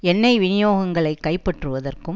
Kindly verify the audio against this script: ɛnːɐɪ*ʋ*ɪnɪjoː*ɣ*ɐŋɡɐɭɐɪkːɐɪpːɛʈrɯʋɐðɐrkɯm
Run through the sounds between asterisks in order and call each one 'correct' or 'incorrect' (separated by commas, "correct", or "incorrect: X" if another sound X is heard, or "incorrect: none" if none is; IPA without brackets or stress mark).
correct, correct